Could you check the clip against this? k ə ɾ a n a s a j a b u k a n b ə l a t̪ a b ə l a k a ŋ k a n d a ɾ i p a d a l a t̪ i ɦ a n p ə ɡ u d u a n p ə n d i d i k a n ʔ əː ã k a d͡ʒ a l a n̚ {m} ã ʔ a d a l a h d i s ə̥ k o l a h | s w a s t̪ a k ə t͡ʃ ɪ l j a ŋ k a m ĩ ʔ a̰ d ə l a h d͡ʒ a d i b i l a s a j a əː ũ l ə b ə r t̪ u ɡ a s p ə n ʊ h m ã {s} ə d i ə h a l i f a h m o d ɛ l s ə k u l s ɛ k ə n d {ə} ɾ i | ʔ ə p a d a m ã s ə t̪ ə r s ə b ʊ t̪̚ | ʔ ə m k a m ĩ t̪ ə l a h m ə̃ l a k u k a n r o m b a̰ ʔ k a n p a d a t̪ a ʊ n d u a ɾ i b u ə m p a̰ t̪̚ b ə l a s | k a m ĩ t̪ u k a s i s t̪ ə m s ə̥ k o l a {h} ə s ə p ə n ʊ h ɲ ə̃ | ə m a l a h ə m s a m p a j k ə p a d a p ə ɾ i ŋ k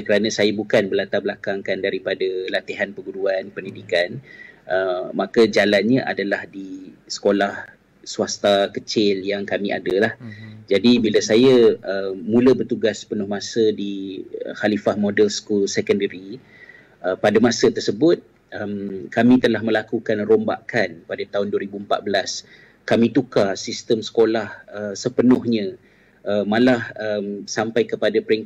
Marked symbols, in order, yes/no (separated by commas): no, yes, yes, yes